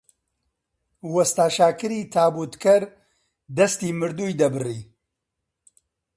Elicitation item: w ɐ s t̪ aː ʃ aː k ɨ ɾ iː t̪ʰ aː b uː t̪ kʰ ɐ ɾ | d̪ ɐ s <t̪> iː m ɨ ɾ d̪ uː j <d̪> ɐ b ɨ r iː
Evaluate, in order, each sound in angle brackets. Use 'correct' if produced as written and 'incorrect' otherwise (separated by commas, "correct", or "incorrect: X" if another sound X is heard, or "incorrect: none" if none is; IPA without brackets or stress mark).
correct, correct